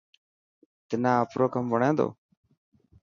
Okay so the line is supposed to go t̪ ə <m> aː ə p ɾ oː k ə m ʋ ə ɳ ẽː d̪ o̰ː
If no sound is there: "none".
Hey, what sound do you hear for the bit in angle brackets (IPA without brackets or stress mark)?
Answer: n